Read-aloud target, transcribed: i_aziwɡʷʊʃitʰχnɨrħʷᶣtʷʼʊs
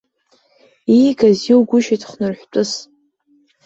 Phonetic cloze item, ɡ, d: ɡ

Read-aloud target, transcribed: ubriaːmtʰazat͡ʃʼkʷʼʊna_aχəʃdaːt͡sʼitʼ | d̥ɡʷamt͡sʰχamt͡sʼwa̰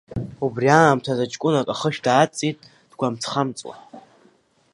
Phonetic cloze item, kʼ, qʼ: kʼ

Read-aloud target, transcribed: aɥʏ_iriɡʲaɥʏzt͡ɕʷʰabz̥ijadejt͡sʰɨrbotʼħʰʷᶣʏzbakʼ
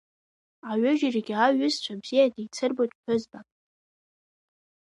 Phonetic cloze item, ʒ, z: ʒ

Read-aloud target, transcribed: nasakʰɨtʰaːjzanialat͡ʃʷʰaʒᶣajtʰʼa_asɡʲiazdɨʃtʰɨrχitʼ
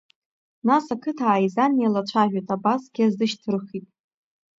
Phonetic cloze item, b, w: b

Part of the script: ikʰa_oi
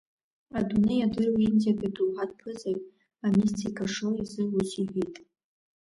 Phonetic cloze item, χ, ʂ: ʂ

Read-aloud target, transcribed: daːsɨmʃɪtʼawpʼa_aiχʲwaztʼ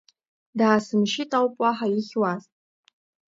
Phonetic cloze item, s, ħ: ħ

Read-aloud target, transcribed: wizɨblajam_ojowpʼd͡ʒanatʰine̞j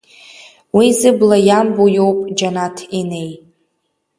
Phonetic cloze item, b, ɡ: b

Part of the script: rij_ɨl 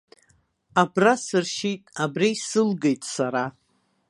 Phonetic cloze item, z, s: s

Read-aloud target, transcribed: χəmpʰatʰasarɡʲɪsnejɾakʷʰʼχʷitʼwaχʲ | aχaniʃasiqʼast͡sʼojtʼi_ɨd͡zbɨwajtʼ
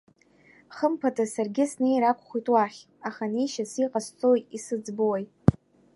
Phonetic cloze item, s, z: s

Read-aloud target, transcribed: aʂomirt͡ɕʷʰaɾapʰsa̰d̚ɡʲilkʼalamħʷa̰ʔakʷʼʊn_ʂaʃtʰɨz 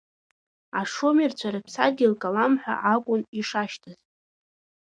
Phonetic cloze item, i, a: i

